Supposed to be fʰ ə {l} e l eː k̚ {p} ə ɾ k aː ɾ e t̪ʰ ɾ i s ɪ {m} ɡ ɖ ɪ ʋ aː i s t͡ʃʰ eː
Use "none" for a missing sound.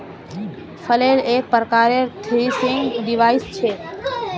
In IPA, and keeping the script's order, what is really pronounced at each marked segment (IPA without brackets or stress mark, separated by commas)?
l, p, ŋ